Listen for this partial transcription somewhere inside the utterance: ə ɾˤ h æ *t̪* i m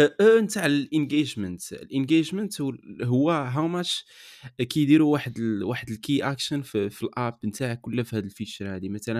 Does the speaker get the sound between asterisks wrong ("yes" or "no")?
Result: yes